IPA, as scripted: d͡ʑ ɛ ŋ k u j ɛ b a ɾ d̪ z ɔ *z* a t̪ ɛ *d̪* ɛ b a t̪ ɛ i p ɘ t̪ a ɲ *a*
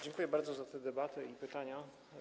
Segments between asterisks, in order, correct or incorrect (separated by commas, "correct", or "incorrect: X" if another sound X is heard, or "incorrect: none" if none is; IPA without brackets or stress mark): correct, correct, correct